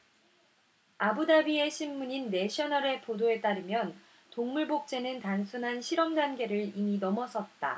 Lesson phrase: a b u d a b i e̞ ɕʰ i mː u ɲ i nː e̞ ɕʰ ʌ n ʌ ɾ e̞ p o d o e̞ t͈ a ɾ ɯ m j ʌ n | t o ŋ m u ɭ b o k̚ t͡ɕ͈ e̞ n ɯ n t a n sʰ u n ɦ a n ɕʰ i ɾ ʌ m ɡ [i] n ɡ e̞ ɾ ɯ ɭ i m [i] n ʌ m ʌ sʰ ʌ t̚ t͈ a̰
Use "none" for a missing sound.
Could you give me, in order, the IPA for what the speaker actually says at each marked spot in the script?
a, i

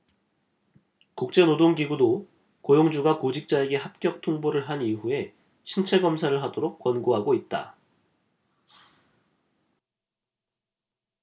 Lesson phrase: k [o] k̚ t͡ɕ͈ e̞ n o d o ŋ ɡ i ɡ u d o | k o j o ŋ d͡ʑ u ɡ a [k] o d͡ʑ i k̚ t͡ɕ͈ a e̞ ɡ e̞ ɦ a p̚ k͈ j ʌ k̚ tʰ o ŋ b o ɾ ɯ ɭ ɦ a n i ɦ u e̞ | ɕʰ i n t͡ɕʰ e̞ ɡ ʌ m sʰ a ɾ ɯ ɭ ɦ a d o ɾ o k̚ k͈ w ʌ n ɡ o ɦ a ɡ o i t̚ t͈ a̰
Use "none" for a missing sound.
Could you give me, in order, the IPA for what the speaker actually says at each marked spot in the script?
u, k

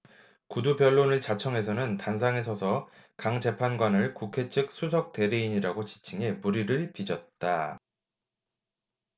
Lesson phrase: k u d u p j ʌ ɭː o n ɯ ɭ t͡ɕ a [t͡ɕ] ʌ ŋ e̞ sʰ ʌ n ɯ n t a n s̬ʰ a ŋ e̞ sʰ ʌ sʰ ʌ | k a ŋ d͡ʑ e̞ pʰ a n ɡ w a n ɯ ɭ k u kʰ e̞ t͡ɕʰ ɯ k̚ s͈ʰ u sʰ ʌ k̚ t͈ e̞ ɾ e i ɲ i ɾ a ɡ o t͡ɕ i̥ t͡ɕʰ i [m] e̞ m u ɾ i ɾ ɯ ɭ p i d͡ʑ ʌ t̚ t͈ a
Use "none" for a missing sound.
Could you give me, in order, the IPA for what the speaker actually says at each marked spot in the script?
t͡ɕʰ, ŋ

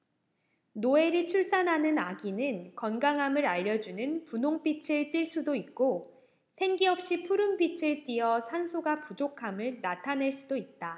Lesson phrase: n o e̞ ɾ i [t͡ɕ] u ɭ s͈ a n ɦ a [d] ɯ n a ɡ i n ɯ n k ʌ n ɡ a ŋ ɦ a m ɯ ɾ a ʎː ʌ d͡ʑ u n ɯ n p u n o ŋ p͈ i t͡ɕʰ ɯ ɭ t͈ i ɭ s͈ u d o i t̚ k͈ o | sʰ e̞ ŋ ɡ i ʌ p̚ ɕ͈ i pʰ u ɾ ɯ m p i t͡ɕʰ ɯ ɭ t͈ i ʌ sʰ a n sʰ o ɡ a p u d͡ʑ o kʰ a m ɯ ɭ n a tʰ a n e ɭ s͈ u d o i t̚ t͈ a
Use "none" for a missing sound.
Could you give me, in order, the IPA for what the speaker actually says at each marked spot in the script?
t͡ɕʰ, n

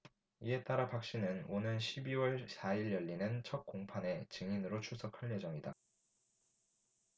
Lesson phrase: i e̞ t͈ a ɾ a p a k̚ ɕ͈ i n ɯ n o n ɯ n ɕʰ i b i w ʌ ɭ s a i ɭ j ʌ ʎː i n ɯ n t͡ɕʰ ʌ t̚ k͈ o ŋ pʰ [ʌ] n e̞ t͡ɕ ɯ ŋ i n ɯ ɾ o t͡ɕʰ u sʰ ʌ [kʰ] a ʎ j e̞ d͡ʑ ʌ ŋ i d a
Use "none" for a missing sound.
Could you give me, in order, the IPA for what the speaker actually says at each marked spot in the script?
a, kʰ

